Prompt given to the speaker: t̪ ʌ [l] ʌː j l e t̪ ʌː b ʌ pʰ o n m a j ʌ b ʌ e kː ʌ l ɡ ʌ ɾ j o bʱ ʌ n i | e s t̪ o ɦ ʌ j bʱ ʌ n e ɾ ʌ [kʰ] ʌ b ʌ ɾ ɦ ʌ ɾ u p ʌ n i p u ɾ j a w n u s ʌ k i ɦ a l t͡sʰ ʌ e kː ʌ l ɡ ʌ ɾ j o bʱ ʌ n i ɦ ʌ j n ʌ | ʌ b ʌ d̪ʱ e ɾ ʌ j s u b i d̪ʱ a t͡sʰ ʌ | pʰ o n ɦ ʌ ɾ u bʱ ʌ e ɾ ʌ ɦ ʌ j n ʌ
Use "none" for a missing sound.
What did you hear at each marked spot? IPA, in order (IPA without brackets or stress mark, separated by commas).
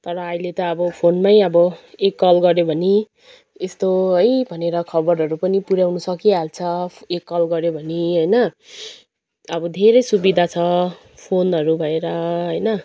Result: ɾ, kʰ